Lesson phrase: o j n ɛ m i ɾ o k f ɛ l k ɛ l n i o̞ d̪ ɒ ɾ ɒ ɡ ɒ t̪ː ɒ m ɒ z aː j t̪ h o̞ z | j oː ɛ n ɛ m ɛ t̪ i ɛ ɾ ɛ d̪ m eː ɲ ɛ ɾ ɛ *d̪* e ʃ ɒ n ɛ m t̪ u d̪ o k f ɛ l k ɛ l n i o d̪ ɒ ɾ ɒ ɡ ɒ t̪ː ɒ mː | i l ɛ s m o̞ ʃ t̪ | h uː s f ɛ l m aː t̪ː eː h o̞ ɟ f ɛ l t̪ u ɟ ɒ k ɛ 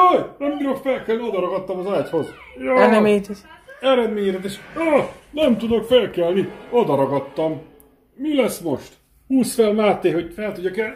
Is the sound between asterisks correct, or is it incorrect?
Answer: incorrect